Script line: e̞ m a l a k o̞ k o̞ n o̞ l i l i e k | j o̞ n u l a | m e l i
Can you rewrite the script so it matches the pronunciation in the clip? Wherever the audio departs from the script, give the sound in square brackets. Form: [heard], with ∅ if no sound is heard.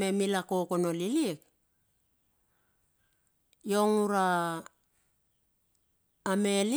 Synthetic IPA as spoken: e̞ m [i] l a k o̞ k o̞ n o̞ l i l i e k | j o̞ [ŋ] u [ɾ] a | m e l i